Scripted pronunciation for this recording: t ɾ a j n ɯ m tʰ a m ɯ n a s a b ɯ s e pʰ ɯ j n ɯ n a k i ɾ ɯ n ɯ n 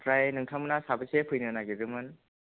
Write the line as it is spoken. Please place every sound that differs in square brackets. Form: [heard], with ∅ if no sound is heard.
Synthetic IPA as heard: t ɾ a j n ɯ [ŋ] tʰ a m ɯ n a s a b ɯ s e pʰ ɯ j n ɯ n a [ɡ] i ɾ ɯ [m] ɯ n